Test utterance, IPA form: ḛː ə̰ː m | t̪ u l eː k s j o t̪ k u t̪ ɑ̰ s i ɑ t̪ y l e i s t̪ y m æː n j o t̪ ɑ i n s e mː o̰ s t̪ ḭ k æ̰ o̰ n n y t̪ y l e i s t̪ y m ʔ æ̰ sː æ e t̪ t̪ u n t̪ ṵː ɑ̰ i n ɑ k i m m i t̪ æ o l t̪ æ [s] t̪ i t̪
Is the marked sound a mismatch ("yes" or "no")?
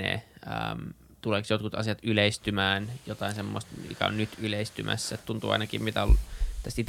no